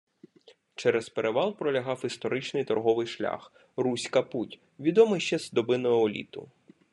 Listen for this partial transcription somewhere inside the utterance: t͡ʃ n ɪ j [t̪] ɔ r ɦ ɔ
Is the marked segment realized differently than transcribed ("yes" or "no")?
no